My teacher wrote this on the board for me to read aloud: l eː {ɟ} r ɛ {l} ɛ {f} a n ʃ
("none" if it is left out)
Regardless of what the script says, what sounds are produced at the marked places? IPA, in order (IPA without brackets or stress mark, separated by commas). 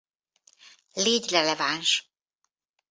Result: ɟ, l, v